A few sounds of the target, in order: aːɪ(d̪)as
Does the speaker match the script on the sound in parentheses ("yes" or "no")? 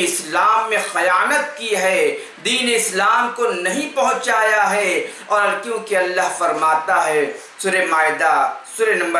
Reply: yes